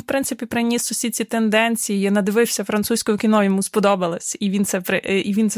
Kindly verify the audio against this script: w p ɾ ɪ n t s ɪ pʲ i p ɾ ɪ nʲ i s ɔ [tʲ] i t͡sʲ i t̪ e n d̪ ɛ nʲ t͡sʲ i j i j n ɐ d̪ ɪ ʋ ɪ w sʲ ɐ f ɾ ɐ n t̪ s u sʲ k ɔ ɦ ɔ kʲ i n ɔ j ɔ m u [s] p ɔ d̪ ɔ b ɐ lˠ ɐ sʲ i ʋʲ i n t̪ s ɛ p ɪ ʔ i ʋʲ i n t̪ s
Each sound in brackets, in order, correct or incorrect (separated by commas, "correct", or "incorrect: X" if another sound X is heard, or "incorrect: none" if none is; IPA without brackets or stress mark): incorrect: sʲ, correct